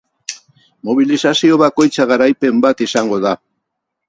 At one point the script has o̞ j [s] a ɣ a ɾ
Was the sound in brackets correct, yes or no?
no